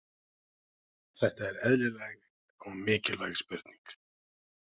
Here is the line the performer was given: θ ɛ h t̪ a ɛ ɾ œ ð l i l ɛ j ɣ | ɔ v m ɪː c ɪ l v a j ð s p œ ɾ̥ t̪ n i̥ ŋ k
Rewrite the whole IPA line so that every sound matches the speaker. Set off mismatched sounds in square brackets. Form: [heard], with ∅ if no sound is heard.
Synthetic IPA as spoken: θ ɛ h t̪ a ɛ ɾ [ɛ] ð l [ɪ] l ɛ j ɣ | ɔ [ɣ] m ɪː c ɪ l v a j [ɣ] s p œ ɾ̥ t̪ n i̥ ŋ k